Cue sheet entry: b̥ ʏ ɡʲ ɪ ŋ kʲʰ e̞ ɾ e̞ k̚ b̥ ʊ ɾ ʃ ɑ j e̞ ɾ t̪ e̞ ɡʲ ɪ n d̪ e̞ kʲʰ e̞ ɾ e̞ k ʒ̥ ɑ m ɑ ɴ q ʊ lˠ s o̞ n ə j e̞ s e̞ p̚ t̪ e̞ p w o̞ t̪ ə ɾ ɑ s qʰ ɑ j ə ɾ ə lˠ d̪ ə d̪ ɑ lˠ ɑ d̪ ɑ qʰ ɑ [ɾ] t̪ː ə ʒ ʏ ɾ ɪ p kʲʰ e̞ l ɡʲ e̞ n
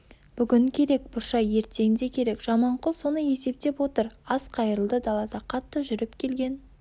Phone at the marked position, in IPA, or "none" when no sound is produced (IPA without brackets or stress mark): none